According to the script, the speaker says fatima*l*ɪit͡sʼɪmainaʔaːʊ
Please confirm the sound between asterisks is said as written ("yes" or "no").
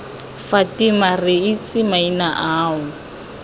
no